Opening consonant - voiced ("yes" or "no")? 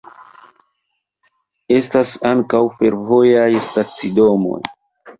no